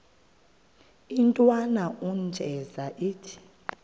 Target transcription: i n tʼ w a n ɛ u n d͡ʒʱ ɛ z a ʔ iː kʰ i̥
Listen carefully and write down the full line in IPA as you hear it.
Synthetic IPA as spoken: i n tʼ w a n a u n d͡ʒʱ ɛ z a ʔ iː tʰ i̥